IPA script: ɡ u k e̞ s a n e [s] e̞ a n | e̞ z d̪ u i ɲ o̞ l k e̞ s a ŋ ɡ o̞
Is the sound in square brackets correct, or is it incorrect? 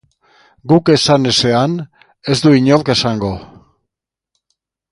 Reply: correct